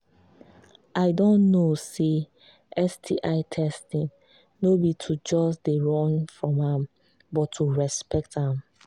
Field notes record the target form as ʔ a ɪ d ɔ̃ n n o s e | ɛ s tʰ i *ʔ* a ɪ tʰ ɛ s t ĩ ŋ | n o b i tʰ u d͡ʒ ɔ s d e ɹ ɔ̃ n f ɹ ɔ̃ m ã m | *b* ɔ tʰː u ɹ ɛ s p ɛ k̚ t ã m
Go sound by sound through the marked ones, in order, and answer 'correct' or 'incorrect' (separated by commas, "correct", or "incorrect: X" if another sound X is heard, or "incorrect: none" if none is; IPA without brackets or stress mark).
correct, correct